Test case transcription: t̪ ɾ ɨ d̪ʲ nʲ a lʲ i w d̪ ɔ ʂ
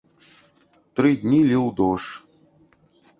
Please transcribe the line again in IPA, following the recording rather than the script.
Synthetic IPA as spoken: t̪ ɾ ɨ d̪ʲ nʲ i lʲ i w d̪ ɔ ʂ